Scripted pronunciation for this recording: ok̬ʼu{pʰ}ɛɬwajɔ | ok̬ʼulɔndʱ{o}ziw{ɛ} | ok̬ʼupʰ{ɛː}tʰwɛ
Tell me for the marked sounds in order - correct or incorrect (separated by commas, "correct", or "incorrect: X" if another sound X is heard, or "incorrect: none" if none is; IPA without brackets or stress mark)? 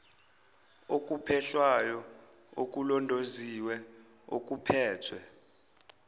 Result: correct, correct, correct, correct